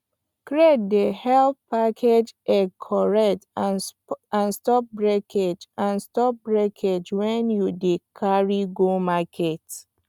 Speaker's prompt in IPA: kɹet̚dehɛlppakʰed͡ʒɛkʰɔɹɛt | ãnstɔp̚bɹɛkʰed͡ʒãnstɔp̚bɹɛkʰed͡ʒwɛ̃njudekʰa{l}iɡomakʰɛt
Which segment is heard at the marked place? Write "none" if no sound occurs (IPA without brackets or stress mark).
ɹ